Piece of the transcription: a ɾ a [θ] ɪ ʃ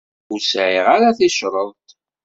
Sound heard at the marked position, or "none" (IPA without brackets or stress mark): θ